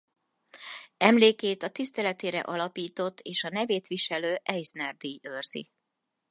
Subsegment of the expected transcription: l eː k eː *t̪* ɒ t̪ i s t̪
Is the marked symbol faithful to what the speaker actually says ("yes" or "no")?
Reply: yes